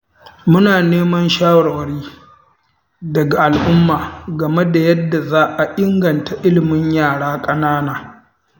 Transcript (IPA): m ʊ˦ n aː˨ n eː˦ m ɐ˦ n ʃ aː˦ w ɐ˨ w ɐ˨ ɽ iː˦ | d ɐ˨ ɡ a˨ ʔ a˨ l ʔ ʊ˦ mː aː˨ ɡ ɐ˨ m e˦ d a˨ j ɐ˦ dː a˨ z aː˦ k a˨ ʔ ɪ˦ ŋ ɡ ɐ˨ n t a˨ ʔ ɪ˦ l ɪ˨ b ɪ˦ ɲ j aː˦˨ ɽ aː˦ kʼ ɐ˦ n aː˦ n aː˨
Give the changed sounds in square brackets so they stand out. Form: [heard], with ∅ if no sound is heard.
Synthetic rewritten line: m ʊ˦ n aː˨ n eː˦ m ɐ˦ n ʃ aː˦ w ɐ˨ w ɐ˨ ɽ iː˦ | d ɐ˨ ɡ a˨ ʔ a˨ l ʔ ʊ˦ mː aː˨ ɡ ɐ˨ m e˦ d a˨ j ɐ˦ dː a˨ z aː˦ [ʔ] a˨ ʔ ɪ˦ ŋ ɡ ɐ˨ n t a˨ ʔ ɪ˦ l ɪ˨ [m] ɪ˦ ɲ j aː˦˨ ɽ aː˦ kʼ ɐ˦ n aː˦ n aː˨

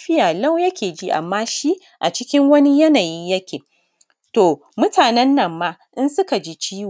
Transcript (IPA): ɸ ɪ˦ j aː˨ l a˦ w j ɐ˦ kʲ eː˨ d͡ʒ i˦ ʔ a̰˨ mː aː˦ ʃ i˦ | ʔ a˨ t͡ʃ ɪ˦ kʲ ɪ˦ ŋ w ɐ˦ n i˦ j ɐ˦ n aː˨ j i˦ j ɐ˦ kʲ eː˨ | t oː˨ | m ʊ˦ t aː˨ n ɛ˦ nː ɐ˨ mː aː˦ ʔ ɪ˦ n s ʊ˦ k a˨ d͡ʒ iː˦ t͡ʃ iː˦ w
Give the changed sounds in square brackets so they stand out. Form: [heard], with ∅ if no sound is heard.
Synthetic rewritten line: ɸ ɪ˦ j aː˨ l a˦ w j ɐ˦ kʲ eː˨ d͡ʒ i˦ ʔ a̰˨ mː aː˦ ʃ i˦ | ʔ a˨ t͡ʃ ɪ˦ kʲ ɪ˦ ŋ w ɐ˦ n i˦ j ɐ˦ n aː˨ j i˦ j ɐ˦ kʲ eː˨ | t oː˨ | m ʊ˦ t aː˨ n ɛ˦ nː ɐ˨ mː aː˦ ʔ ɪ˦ n s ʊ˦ k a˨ d͡ʒ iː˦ t͡ʃ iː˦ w

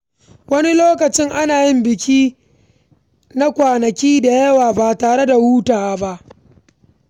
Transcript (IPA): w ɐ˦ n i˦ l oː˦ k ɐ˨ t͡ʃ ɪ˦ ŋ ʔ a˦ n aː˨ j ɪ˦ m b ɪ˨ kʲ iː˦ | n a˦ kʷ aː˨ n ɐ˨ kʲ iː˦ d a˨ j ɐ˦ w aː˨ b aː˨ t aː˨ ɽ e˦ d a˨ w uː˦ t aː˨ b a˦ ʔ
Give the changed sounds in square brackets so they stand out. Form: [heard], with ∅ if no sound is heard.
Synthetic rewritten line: w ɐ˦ n i˦ l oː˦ k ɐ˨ t͡ʃ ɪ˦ ŋ ʔ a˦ n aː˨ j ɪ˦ m b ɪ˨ kʲ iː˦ | n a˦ kʷ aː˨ n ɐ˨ kʲ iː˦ d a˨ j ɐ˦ w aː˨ b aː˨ t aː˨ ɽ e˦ d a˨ w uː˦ t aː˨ b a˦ ʔ

